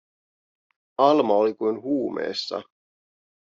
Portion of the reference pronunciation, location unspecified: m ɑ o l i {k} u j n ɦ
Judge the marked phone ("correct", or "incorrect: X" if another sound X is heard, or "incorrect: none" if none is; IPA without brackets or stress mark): correct